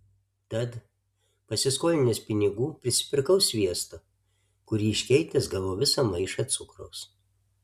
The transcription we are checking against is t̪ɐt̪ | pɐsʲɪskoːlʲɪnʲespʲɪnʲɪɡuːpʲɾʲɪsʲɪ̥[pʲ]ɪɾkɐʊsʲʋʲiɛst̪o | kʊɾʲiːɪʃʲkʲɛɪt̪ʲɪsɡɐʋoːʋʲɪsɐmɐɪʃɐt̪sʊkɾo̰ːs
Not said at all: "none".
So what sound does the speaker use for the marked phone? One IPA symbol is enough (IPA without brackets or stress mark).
pʲ